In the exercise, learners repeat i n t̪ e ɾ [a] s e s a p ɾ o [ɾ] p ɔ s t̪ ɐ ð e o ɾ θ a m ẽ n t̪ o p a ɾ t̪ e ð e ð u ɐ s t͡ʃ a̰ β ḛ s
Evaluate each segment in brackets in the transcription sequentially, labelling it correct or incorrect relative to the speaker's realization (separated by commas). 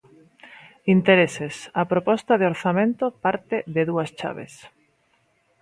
incorrect, incorrect